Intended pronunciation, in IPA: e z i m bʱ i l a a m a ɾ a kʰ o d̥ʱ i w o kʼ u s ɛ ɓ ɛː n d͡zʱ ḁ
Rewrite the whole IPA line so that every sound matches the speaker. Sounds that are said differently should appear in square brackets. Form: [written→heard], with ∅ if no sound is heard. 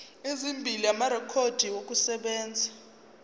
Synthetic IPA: e z i m bʱ i l [a→i] a m a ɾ [a→ɛ] kʰ o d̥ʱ i w o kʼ u s ɛ ɓ ɛː n d͡zʱ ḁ